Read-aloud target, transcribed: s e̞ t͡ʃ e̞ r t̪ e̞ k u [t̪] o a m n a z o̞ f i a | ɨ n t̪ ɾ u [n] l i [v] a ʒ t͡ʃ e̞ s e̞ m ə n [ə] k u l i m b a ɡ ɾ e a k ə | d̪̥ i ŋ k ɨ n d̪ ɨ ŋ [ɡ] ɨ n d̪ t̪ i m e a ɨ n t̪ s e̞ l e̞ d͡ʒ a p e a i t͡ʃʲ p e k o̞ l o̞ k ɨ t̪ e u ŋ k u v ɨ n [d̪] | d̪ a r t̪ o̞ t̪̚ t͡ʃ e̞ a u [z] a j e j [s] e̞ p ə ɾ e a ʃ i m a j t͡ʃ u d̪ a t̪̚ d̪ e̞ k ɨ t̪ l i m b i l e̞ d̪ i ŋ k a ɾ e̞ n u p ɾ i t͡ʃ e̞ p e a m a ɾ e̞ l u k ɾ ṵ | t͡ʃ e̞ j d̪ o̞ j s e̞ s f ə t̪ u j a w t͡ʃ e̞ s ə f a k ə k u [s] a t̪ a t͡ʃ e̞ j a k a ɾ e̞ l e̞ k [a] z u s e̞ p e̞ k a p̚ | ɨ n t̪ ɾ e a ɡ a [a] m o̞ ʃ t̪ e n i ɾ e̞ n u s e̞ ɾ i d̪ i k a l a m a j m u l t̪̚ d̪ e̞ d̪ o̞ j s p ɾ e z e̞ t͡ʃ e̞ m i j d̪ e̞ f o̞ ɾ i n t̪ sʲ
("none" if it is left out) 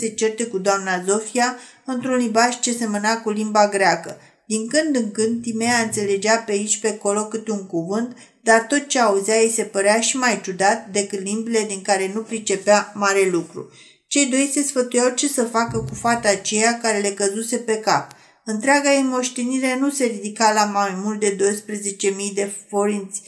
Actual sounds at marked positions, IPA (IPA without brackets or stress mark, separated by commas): d̪, n, b, a, k, t̪, z, s, f, ə, i